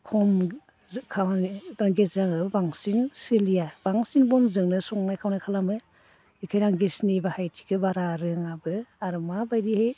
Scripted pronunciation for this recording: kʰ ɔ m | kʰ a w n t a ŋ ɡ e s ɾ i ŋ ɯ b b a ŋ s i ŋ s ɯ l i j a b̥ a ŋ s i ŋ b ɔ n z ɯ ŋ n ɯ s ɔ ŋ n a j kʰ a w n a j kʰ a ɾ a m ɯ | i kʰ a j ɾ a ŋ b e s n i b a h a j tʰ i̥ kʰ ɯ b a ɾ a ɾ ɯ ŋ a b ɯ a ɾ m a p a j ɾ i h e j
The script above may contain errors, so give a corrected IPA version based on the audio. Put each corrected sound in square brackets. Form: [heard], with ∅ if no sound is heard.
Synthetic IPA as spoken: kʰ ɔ m | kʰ a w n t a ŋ ɡ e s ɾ [a] ŋ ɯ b b a ŋ s i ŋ s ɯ l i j a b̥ a ŋ s i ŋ b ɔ n z ɯ ŋ n ɯ s ɔ ŋ n a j kʰ a w n a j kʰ a [l] a m ɯ | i kʰ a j ɾ a ŋ [ɡ] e s n i b a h a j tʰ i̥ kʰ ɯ b a ɾ a ɾ ɯ ŋ a b ɯ a ɾ m a [b] a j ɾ i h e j